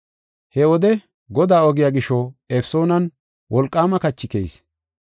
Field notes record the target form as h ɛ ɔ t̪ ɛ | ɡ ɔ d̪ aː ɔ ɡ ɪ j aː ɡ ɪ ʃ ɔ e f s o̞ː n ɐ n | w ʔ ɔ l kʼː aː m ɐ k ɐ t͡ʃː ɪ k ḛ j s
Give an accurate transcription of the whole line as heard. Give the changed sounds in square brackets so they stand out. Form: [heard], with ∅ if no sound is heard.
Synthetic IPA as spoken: h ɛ ɔ [d̪] ɛ | ɡ ɔ d̪ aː ɔ ɡ ɪ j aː ɡ ɪ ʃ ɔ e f s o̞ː n ɐ n | w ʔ ɔ l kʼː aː m ɐ k ɐ t͡ʃː ɪ k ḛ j s